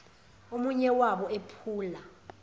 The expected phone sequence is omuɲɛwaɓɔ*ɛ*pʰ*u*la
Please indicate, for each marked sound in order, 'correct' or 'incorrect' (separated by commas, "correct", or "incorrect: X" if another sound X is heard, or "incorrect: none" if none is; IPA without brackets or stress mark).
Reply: incorrect: e, incorrect: uː